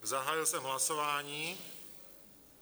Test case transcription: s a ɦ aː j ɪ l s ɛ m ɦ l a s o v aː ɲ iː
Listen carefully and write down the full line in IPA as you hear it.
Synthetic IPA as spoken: z a ɦ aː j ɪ l s ɛ m ɦ l a s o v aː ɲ iː

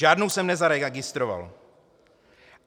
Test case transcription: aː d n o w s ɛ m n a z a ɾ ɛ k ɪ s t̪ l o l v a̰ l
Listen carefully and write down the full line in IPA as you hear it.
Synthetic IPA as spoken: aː d n o w s ɛ m n ɛ z a ɾ ɛ ɡ ɪ s t̪ ɾ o v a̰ l

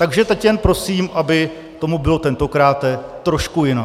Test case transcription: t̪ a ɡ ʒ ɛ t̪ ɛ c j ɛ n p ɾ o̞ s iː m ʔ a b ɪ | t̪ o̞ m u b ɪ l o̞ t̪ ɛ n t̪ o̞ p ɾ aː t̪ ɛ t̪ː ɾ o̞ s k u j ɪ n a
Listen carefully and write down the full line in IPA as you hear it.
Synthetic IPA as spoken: t̪ a ɡ ʒ ɛ t̪ ɛ c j ɛ n p ɾ o̞ s iː m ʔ a b ɪ | t̪ o̞ m u b ɪ l o̞ t̪ ɛ n t̪ o̞ k ɾ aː t̪ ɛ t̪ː ɾ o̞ ʃ k u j ɪ n a

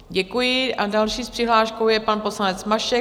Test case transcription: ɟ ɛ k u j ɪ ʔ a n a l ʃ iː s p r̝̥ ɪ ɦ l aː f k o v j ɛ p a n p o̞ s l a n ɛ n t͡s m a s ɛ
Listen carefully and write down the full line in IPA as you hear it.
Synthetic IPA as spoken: ɟ ɛ k u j ɪ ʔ a d a l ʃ iː s p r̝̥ ɪ ɦ l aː ʃ k o w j ɛ p a n p o̞ s l a n ɛ t͡s m a ʃ ɛ

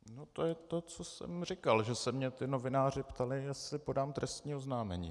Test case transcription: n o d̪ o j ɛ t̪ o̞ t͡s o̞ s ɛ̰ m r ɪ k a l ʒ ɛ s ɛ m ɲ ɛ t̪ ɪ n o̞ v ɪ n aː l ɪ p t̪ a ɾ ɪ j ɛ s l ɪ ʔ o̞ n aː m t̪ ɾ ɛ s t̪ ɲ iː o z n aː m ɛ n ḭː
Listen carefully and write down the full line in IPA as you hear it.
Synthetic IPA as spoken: n o t̪ o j ɛ t̪ o̞ t͡s o̞ s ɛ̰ m r ɪ k a l ʒ ɛ s ɛ m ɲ ɛ t̪ ɪ n o̞ v ɪ n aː r ɪ p t̪ a l ɪ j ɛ s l ɪ p o̞ d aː m t̪ ɾ ɛ s t̪ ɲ iː o z n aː m ɛ ɲ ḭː

